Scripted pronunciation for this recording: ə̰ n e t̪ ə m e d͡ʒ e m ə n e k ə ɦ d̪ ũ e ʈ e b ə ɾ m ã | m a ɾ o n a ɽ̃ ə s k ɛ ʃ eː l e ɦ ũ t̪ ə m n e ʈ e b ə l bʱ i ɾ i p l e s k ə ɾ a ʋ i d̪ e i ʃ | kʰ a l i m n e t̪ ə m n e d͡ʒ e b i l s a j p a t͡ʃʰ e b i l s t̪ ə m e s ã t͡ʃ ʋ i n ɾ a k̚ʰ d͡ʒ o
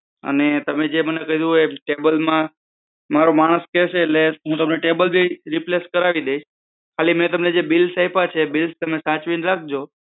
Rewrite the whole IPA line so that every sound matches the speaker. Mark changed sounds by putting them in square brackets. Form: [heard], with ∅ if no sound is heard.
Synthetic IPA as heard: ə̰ n e t̪ ə m e d͡ʒ e m ə n e k ə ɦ d̪ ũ e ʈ e b ə [l] m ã | m a ɾ o [m] a ɽ̃ ə s k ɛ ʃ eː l e ɦ ũ t̪ ə m n e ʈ e b ə l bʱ i ɾ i p l e s k ə ɾ a ʋ i d̪ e i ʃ | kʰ a l i m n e t̪ ə m n e d͡ʒ e b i l s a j p a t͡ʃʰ e b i l s t̪ ə m e s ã t͡ʃ ʋ i n ɾ a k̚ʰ d͡ʒ o

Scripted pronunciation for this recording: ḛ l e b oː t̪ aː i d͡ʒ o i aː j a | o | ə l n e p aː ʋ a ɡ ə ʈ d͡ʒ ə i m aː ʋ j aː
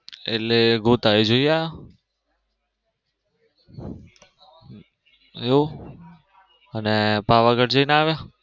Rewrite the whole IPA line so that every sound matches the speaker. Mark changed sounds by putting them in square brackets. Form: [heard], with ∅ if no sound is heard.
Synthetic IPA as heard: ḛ l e [ɡ] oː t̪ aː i d͡ʒ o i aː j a | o | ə [∅] n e p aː ʋ a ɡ ə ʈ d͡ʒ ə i [n] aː ʋ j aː

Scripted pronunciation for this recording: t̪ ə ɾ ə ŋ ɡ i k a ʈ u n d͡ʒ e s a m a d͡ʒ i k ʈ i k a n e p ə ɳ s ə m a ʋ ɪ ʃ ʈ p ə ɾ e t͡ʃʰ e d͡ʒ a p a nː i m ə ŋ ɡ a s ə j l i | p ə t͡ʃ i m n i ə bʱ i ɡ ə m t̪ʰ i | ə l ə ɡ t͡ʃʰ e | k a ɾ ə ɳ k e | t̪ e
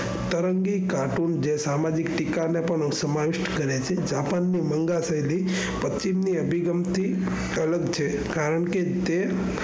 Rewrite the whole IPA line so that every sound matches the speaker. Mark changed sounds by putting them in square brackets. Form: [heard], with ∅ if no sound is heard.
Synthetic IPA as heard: t̪ ə ɾ ə ŋ ɡ i k a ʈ u n d͡ʒ e s a m a d͡ʒ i k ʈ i k a n e p ə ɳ s ə m a ʋ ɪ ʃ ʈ [k] ə ɾ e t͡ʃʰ e d͡ʒ a p a nː i m ə ŋ ɡ a s ə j l i | p ə t͡ʃ i m n i ə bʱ i ɡ ə m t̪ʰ i | ə l ə ɡ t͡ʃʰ e | k a ɾ ə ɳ k e | t̪ e

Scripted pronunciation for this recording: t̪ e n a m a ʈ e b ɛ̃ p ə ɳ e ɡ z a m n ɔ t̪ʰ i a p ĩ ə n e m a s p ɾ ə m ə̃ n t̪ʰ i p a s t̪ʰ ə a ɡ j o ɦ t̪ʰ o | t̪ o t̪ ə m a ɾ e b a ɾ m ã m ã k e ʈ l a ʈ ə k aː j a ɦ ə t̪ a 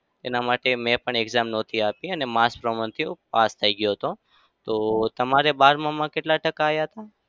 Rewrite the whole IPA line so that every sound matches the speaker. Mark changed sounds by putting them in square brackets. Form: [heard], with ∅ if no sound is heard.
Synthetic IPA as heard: t̪ e n a m a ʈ e [m] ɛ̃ p ə ɳ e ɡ z a m n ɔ t̪ʰ i a p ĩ ə n e m a s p ɾ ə m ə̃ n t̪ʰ i p a s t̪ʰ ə [i] ɡ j o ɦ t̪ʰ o | t̪ o t̪ ə m a ɾ e b a ɾ m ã m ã k e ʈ l a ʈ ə k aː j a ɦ ə t̪ a

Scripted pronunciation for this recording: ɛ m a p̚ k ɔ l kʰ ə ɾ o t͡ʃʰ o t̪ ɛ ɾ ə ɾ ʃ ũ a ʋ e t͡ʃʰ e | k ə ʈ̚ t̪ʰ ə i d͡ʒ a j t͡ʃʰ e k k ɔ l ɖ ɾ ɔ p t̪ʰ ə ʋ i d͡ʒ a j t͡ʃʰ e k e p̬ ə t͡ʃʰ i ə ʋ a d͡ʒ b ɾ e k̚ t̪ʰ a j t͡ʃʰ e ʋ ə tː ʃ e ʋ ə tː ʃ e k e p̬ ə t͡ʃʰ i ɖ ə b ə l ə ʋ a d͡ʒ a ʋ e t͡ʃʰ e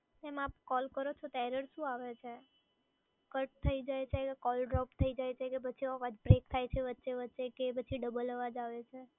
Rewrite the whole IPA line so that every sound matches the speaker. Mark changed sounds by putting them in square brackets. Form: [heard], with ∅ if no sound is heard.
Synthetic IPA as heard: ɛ m a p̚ k ɔ l [k] ə ɾ o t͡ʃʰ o t̪ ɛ ɾ ə ɾ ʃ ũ a ʋ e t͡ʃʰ e | k ə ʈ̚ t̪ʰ ə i d͡ʒ a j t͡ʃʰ e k k ɔ l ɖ ɾ ɔ p t̪ʰ ə [∅] i d͡ʒ a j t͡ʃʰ e k e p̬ ə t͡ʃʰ i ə ʋ a d͡ʒ b ɾ e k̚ t̪ʰ a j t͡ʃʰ e ʋ ə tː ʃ e ʋ ə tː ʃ e k e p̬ ə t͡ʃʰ i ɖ ə b ə l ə ʋ a d͡ʒ a ʋ e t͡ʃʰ e

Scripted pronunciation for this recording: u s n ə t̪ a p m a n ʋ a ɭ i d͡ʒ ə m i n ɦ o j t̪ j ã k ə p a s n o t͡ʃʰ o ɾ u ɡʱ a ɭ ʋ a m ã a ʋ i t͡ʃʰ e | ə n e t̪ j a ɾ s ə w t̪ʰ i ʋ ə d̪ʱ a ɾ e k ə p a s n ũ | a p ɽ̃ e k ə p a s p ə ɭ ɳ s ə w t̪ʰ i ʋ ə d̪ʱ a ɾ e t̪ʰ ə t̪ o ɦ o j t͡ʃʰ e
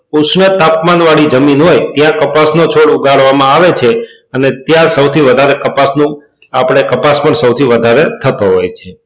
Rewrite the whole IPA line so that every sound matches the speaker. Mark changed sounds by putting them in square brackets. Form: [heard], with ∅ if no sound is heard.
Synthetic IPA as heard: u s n ə t̪ a p m a n ʋ a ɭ i d͡ʒ ə m i n ɦ o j t̪ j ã k ə p a s n o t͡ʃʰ o [ɽ] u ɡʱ a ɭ ʋ a m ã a ʋ [e] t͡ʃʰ e | ə n e t̪ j a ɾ s ə w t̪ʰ i ʋ ə d̪ʱ a ɾ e k ə p a s n ũ | a p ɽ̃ e k ə p a s p ə [∅] ɳ s ə w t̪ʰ i ʋ ə d̪ʱ a ɾ e t̪ʰ ə t̪ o ɦ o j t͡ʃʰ e

